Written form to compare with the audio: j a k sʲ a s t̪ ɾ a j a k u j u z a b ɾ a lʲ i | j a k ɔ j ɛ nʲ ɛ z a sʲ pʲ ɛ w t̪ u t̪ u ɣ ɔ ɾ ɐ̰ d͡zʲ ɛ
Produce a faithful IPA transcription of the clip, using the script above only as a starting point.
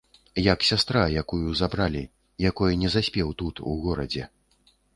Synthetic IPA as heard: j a k sʲ a s t̪ ɾ a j a k u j u z a b ɾ a lʲ i | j a k ɔ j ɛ nʲ ɛ z a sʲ pʲ ɛ w t̪ u t̪ u ɣ ɔ ɾ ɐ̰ d͡zʲ ɛ